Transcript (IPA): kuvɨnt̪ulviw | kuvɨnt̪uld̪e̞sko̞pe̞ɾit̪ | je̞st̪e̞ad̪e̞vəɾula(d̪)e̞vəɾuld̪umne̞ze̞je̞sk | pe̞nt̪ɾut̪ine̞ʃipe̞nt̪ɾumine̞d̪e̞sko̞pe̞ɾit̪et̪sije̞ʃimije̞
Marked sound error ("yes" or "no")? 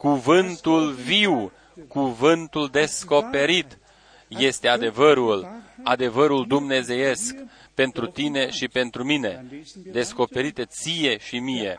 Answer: no